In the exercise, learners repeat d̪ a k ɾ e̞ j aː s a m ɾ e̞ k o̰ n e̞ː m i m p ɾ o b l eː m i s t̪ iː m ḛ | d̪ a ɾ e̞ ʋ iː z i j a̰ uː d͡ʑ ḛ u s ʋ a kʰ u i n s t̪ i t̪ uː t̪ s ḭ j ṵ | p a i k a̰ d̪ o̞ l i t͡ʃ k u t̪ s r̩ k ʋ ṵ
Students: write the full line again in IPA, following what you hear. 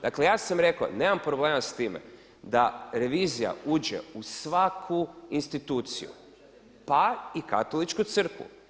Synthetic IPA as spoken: d̪ a k l e̞ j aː s a m ɾ e̞ k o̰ n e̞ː m a m p ɾ o b l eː m a s t̪ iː m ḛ | d̪ a ɾ e̞ ʋ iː z i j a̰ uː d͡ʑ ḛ u s ʋ a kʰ u i n s t̪ i t̪ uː t̪ s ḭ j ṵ | p a i k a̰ t̪ o̞ l i t͡ʃ k u t̪ s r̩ k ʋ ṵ